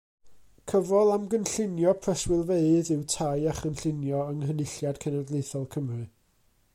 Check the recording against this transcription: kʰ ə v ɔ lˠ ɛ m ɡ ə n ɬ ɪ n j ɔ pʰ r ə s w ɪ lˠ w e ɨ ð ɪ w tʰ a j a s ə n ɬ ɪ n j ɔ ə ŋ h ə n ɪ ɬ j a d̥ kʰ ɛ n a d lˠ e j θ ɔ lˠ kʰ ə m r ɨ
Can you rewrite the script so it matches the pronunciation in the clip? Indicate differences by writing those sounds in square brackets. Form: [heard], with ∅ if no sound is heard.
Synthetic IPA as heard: kʰ ə v ɔ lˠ [a] m ɡ ə n ɬ ɪ n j ɔ pʰ r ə s w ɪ lˠ [v] e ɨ ð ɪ w tʰ a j a [χ] ə n ɬ ɪ n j ɔ ə ŋ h ə n ɪ ɬ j a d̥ kʰ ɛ n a d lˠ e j θ ɔ lˠ kʰ ə m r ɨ